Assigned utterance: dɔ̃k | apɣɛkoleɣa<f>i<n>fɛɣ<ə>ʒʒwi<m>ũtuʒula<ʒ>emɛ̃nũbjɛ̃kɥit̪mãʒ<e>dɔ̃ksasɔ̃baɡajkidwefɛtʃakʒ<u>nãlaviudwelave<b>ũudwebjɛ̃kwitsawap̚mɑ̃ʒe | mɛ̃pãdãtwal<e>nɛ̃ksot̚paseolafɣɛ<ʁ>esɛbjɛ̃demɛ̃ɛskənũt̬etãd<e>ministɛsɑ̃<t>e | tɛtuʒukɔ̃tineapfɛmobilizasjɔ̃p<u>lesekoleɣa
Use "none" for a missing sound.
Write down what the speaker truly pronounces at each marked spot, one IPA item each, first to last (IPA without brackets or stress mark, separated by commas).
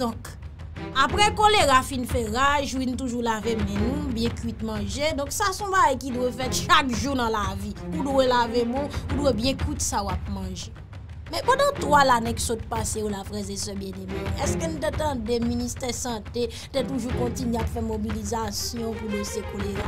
f, n, a, n, v, e, u, m, a, z, e, t, u